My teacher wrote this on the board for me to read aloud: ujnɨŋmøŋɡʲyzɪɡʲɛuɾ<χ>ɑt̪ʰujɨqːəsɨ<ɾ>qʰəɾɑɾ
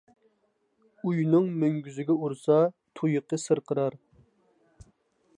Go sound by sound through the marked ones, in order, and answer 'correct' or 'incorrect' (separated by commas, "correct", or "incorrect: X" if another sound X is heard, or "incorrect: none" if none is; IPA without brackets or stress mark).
incorrect: s, correct